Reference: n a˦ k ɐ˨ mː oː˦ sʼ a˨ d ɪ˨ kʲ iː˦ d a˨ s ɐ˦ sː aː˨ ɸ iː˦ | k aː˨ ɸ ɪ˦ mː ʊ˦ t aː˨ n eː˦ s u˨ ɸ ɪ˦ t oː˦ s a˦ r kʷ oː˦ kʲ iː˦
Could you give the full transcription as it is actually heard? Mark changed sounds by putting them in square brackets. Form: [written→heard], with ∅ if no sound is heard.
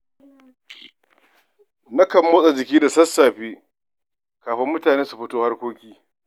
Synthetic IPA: n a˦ k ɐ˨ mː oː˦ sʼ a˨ [d→d͡ʒ] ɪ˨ kʲ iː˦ d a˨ s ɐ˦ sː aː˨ ɸ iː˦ | k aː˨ ɸ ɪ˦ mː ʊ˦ t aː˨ n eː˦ s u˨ ɸ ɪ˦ t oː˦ [s→h] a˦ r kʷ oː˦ kʲ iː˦